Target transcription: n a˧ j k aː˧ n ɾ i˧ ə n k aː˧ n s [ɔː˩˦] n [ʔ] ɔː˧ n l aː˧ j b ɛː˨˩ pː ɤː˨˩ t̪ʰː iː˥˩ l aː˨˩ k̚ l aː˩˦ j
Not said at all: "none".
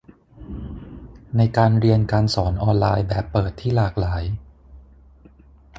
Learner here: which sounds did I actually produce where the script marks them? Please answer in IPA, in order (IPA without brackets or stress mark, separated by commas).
ɔː˩˦, ʔ